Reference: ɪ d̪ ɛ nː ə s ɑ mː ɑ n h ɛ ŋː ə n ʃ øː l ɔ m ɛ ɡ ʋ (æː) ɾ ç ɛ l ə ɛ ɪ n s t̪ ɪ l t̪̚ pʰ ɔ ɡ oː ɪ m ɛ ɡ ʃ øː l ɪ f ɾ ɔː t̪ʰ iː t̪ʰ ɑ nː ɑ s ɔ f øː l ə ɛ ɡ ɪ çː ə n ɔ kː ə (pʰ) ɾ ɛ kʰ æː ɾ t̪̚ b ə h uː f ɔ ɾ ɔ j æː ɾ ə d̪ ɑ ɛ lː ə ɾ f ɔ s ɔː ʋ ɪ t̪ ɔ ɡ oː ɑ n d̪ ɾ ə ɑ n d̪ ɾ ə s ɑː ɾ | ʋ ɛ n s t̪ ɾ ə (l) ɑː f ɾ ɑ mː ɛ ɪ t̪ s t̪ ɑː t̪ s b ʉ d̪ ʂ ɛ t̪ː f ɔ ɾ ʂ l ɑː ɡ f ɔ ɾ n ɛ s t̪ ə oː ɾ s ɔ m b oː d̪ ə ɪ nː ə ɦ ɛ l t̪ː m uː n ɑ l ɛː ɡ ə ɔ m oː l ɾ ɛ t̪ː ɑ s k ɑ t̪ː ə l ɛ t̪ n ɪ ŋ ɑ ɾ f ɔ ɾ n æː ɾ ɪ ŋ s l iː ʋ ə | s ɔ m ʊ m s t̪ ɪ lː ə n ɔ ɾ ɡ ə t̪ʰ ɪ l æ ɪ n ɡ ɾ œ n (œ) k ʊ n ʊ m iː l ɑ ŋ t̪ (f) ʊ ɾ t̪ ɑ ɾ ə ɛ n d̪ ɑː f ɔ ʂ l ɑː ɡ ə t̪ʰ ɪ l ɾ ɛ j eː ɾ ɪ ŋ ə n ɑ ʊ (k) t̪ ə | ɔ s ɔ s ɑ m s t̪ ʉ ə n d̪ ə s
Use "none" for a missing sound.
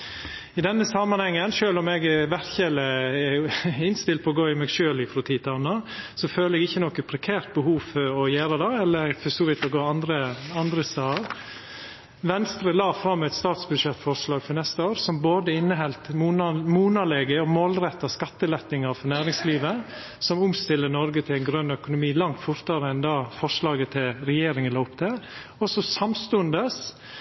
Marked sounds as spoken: æ, pʰ, l, œ, f, p

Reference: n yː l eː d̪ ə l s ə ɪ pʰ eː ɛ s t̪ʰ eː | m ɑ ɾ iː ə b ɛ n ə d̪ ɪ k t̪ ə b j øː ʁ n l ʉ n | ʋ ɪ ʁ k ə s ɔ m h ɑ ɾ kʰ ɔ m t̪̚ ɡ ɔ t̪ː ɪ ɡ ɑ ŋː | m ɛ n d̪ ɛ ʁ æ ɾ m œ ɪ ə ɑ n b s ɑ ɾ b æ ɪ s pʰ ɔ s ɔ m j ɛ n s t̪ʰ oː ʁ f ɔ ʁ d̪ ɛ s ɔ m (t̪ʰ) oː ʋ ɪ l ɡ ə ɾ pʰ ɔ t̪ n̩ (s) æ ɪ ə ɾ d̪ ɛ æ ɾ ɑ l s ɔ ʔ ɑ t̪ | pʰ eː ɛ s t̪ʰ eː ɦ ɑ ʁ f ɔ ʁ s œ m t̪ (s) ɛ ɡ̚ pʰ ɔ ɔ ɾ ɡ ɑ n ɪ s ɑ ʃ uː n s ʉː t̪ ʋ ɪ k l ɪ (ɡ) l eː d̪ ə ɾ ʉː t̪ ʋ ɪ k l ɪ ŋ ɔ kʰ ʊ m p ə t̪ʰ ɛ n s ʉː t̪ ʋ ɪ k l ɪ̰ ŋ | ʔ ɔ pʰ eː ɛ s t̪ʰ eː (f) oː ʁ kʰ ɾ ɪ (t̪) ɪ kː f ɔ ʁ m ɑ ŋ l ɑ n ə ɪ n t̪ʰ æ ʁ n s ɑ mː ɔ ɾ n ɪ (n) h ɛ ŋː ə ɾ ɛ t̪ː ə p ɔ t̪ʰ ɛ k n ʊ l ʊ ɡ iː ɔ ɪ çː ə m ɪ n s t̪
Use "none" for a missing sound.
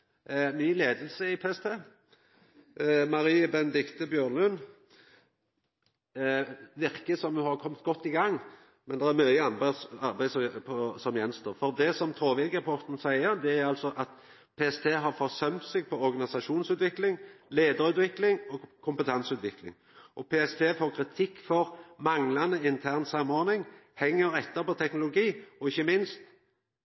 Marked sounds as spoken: t̪ʰ, s, s, ŋ, f, t̪ʰ, ŋ

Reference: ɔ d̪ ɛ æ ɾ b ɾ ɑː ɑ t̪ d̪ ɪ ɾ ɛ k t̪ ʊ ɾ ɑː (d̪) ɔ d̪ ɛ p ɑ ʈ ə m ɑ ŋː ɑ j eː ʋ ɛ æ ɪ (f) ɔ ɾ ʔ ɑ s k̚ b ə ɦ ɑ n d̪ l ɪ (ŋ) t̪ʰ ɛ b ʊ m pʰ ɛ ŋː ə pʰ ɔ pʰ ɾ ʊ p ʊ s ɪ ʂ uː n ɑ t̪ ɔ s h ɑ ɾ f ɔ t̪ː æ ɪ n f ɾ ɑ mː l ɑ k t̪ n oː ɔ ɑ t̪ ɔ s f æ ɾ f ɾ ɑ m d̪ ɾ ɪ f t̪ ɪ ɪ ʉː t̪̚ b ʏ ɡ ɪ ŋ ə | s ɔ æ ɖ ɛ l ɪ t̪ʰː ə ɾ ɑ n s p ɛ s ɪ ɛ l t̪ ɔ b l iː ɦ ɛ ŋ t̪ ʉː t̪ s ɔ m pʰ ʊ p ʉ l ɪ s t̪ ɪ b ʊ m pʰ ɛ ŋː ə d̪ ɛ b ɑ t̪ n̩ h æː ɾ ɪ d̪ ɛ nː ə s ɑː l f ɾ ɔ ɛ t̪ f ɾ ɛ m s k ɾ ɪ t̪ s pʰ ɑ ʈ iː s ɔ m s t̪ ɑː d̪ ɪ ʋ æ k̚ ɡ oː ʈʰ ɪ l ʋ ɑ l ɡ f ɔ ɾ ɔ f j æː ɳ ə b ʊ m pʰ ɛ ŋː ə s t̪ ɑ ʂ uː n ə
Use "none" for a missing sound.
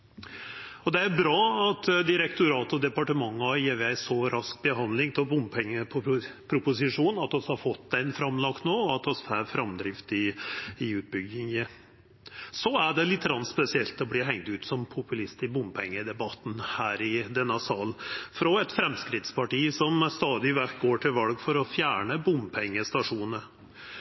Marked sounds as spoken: t̪, s, ŋ

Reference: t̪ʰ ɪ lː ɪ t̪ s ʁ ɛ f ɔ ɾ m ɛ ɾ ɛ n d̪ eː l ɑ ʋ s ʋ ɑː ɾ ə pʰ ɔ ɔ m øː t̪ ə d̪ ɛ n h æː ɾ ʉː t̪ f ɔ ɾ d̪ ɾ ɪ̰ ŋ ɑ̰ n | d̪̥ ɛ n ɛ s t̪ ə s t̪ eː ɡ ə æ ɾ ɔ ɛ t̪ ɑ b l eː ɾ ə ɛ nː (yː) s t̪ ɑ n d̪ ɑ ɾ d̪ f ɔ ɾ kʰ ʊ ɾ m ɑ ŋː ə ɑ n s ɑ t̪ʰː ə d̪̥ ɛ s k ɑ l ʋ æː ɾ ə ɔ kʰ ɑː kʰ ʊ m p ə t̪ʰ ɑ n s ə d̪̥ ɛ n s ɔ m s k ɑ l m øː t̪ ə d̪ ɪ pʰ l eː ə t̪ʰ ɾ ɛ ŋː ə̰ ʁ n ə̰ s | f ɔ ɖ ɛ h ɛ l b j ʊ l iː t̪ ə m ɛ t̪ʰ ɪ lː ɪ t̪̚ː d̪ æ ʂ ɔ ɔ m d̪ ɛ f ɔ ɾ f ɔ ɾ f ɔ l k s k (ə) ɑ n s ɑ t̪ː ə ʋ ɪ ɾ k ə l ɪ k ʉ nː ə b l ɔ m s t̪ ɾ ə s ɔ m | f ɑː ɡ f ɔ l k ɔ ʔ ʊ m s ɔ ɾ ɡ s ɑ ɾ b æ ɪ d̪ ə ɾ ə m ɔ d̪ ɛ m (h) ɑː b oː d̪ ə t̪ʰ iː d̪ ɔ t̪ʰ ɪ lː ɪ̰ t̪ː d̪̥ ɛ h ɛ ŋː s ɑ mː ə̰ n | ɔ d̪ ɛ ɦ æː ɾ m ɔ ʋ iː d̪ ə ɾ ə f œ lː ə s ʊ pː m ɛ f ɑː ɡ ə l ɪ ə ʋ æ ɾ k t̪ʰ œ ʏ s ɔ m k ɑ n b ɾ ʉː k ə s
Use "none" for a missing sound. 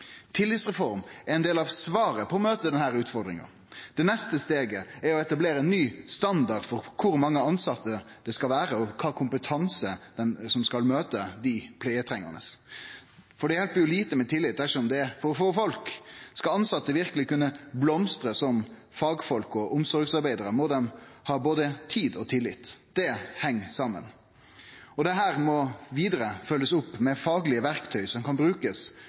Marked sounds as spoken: yː, ɑ, h

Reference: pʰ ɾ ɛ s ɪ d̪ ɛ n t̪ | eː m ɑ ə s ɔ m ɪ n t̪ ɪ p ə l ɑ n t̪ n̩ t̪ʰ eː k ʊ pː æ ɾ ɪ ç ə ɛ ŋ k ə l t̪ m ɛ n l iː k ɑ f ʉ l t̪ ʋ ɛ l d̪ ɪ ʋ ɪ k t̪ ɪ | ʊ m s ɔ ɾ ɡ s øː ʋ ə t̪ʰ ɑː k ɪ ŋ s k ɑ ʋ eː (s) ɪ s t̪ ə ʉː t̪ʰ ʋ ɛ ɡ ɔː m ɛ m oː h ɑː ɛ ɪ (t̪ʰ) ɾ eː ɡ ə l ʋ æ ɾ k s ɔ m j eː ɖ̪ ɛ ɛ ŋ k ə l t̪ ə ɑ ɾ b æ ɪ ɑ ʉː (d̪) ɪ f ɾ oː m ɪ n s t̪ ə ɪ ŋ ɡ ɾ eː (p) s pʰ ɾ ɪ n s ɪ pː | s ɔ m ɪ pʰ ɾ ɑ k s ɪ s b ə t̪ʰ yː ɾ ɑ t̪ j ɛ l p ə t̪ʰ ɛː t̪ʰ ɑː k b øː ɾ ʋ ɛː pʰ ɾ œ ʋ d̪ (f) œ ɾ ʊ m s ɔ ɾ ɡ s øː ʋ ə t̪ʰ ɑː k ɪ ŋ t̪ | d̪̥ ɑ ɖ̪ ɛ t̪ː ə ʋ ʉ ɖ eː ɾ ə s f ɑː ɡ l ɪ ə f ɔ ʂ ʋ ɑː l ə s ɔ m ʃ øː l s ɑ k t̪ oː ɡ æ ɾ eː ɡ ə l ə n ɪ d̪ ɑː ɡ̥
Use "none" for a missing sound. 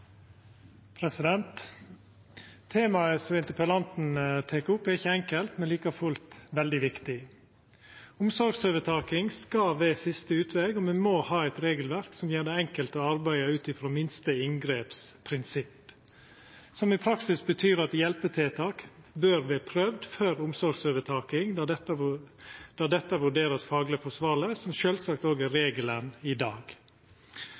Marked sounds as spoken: s, t̪, t̪, p, f

